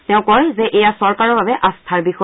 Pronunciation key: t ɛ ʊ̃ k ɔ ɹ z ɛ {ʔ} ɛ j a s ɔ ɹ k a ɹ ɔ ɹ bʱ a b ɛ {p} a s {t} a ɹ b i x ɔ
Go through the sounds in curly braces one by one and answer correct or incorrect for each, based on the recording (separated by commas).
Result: correct, incorrect, incorrect